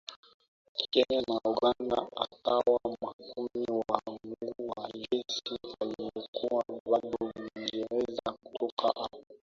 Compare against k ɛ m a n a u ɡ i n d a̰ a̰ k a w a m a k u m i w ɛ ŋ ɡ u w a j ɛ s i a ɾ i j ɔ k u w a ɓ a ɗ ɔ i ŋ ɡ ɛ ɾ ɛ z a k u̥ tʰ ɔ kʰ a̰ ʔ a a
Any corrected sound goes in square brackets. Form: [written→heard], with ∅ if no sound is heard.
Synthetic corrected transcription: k ɛ [m→ɲ] a n a u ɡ [i→a] n d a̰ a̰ k a w a m a k u m i w [ɛ→a] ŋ ɡ u w a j ɛ s i a [ɾ→l] i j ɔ k u w a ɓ a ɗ ɔ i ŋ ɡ ɛ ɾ ɛ z a k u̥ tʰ ɔ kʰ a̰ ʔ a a